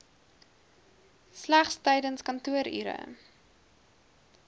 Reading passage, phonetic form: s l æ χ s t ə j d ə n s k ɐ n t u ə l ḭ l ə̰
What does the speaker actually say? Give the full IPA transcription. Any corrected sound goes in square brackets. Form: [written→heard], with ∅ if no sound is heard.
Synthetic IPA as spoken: s l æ χ s t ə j d ə n s k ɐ n t u ə [l→ɾ] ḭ [l→ɾ] ə̰